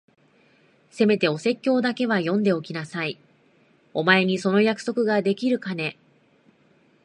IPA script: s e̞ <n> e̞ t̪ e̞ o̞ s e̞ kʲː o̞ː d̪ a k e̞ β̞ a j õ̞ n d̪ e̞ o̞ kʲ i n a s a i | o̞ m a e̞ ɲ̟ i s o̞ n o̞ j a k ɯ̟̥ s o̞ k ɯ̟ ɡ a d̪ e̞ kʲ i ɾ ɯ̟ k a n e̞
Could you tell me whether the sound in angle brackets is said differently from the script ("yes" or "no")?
yes